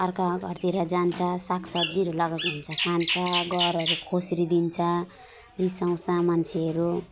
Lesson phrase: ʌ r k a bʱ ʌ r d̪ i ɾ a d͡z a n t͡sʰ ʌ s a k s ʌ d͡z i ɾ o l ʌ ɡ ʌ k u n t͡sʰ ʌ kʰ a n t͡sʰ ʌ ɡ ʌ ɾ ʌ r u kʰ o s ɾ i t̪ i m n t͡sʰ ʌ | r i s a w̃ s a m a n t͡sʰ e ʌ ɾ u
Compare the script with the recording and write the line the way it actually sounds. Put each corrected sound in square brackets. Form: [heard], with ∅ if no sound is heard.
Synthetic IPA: ʌ r k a [ɡʱ] ʌ r [t̪] i ɾ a d͡z a n t͡sʰ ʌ s a k s ʌ d͡z i ɾ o l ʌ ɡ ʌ k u n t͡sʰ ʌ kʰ a n t͡sʰ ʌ ɡ ʌ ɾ ʌ [ɾ] u kʰ o s ɾ i [d̪] i [∅] n t͡sʰ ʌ | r i s a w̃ s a m a n t͡sʰ e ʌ ɾ u